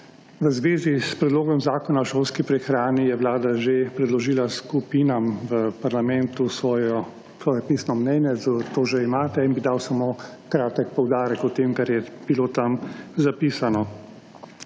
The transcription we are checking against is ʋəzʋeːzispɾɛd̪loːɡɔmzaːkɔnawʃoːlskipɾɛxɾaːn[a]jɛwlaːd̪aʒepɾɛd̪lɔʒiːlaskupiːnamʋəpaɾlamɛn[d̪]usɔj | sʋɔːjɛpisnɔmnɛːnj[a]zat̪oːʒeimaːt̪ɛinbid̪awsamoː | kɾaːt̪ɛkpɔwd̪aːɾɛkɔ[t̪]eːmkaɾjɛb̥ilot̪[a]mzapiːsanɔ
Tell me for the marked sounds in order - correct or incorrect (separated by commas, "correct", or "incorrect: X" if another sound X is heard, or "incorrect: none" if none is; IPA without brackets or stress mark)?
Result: incorrect: i, incorrect: t̪, incorrect: ɛ, correct, correct